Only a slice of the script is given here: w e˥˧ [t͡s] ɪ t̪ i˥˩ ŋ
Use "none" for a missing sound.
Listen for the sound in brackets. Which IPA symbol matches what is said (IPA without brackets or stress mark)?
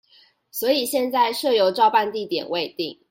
none